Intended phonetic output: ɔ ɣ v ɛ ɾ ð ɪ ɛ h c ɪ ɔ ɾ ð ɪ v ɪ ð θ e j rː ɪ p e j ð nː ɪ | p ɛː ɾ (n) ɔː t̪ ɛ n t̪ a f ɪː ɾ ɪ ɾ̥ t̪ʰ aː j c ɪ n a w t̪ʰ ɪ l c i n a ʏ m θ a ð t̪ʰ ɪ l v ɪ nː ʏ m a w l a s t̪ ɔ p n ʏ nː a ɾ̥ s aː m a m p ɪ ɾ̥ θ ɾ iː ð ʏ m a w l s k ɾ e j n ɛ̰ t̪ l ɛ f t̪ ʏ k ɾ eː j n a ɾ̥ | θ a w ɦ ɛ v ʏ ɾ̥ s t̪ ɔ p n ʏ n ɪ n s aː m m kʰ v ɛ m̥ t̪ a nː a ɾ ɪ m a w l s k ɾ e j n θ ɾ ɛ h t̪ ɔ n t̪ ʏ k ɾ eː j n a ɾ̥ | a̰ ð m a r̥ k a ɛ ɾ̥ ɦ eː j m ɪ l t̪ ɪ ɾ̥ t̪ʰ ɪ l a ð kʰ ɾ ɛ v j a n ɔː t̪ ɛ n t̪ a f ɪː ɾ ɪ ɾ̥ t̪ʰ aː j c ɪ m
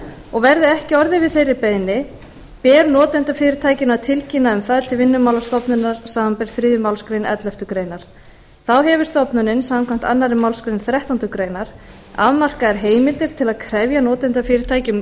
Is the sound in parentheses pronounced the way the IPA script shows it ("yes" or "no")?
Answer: yes